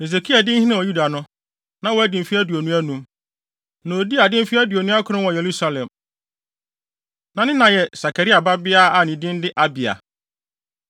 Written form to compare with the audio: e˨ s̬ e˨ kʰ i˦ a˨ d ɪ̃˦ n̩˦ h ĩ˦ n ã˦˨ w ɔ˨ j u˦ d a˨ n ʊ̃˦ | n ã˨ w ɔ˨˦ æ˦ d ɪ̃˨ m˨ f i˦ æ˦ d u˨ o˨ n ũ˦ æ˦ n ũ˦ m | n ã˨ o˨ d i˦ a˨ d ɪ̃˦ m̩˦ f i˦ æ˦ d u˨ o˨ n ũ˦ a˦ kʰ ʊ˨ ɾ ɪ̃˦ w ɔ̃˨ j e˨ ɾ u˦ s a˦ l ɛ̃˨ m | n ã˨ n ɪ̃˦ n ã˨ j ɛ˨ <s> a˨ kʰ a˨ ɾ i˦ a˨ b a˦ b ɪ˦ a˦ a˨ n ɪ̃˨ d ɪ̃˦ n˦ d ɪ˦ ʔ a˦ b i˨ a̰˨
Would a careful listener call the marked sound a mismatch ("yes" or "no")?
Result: no